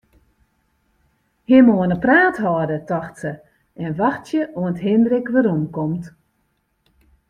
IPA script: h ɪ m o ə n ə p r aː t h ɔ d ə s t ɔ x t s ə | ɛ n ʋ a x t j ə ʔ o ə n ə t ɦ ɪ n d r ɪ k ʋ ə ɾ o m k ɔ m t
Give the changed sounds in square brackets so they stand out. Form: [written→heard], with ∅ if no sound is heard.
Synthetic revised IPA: h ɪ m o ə n ə p r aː t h ɔ d ə [s→∅] t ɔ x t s ə | ɛ n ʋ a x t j ə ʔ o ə n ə t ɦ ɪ n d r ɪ k ʋ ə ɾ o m k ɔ m t